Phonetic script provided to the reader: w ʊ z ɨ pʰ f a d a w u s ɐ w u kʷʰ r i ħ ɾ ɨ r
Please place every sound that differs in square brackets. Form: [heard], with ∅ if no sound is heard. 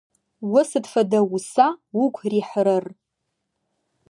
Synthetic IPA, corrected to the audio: w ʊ [s] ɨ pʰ f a d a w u s [a] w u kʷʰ r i ħ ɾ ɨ r